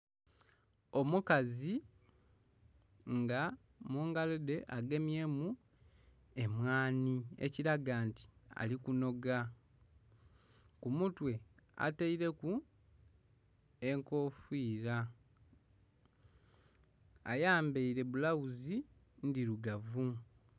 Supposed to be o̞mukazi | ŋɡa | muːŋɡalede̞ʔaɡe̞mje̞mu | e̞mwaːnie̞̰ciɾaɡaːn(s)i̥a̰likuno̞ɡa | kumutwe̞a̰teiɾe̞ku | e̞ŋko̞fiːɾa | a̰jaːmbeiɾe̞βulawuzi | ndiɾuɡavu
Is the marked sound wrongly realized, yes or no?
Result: yes